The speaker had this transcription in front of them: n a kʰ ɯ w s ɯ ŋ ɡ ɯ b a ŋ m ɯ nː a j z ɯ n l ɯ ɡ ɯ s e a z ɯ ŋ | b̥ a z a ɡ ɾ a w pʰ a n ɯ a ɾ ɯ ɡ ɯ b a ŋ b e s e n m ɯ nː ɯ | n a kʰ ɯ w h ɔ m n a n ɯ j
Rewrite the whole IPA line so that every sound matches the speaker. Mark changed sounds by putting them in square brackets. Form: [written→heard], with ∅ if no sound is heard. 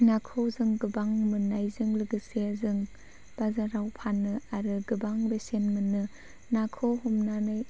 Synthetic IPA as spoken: n a kʰ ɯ w [s→z] ɯ ŋ ɡ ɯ b a ŋ m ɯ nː a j z ɯ [n→ŋ] l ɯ ɡ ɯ s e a z ɯ ŋ | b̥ a z a [ɡ→∅] ɾ a w pʰ a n ɯ a ɾ ɯ ɡ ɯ b a ŋ b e s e n m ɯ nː ɯ | n a kʰ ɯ w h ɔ m n a n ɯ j